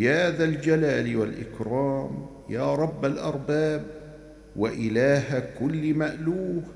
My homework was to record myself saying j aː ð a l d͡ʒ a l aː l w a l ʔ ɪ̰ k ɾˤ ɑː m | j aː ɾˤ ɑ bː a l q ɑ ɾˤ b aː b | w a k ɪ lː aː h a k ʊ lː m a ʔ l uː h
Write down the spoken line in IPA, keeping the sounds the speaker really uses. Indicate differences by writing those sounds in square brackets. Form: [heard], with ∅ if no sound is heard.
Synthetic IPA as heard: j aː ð a l d͡ʒ a l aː l w a l ʔ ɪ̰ k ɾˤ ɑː m | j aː ɾˤ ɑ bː a l [ʔ] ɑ ɾˤ b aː b | w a [ʔ] ɪ [l] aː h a k ʊ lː m a ʔ l uː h